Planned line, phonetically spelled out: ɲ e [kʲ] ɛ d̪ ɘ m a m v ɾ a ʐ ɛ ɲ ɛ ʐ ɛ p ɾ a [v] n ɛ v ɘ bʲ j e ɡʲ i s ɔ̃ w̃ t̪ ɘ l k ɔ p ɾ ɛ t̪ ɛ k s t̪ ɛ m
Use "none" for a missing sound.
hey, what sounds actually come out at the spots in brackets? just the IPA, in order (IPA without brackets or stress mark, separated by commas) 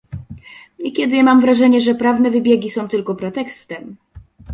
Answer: kʲ, v